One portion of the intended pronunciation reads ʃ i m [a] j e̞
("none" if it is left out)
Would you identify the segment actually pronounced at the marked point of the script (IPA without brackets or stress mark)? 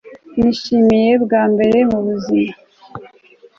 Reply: i